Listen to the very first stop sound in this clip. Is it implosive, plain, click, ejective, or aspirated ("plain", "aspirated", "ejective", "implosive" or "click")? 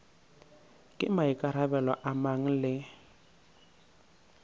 ejective